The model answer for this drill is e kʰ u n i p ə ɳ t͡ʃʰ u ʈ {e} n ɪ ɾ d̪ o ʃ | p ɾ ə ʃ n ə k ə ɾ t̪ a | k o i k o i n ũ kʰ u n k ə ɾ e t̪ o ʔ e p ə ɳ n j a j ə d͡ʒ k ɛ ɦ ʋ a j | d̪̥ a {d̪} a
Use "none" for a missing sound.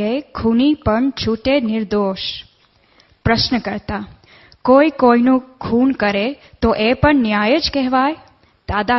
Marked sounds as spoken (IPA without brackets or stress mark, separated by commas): e, d̪